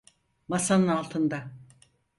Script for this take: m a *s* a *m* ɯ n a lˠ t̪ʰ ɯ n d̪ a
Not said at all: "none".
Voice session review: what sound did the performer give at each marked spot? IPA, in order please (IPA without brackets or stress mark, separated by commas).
s, n